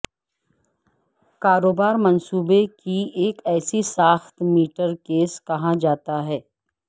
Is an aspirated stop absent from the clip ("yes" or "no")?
yes